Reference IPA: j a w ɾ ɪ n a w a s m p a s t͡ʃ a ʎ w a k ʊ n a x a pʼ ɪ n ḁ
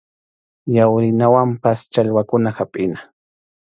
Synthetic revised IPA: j a w ɾ ɪ n a w a m p a s t͡ʃ a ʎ w a k ʊ n a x a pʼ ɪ n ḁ